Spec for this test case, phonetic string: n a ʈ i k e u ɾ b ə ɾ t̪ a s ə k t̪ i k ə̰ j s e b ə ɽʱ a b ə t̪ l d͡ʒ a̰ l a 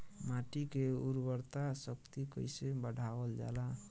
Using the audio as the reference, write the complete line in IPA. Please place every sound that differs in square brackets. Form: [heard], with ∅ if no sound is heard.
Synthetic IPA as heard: [m] a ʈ i k e u ɾ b ə ɾ t̪ a s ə k t̪ i k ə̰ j s e b ə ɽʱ a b ə [∅] l d͡ʒ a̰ l a